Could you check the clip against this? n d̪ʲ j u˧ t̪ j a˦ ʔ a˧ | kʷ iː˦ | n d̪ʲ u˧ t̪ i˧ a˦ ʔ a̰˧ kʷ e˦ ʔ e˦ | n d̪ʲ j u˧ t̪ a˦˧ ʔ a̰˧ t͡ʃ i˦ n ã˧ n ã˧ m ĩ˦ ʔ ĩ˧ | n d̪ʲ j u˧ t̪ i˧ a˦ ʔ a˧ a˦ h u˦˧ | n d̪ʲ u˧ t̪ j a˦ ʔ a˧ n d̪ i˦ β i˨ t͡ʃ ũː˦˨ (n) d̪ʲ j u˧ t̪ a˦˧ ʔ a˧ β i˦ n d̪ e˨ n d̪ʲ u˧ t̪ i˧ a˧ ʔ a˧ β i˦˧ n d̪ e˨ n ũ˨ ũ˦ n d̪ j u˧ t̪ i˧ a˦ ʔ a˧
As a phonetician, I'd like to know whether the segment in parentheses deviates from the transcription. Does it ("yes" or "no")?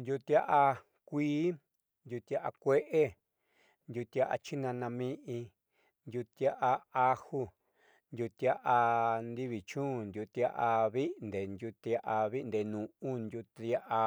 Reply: no